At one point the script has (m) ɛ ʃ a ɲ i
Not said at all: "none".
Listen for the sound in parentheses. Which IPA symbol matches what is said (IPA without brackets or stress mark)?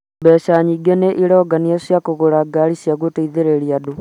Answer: b